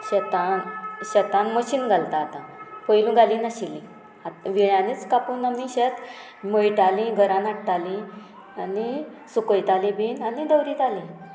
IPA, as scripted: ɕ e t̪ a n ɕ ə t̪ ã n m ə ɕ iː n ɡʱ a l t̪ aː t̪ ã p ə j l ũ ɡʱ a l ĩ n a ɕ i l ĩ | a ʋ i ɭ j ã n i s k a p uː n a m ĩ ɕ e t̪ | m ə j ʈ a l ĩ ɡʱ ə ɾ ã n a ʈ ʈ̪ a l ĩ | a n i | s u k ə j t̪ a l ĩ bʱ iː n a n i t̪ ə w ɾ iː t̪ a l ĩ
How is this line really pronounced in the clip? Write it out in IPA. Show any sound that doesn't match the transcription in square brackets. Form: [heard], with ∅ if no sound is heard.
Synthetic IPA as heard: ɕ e t̪ a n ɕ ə t̪ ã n m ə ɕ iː n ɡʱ a l t̪ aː t̪ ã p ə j l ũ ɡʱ a l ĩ n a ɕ i l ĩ | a ʋ i ɭ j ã n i [t͡s] k a p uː n a m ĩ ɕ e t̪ | m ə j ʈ a l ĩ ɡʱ ə ɾ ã n a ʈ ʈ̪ a l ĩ | a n i | s u k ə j t̪ a l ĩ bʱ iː n a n i [d̪] ə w ɾ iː t̪ a l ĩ